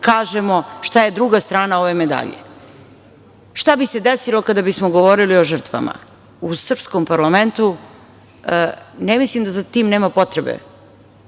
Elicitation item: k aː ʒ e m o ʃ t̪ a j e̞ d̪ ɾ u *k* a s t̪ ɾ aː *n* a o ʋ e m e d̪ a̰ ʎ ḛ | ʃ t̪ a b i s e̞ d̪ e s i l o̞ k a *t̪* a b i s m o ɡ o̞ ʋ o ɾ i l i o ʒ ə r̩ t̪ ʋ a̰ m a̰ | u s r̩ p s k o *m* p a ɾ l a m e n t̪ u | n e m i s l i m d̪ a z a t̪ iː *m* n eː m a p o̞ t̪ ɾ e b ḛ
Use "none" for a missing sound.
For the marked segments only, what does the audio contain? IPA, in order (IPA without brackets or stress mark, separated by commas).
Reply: ɡ, n, d̪, m, m